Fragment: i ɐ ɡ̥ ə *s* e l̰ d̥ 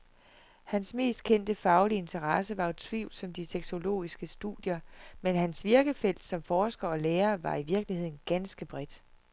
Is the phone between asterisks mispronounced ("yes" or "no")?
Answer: yes